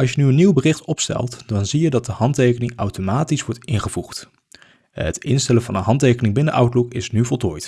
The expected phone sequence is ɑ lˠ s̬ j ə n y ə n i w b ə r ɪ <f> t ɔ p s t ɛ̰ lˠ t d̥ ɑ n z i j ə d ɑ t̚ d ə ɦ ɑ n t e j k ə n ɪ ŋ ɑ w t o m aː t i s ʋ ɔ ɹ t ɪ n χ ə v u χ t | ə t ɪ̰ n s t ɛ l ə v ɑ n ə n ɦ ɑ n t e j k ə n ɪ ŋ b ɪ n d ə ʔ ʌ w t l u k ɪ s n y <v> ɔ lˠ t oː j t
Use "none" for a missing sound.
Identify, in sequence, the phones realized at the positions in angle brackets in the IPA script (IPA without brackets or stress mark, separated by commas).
χ, v